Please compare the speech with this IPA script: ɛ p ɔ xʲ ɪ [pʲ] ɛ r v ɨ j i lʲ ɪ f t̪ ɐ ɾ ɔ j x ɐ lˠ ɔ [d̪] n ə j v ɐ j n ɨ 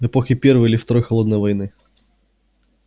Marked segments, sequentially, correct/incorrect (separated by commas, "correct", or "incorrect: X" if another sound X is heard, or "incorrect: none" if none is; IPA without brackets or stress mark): correct, correct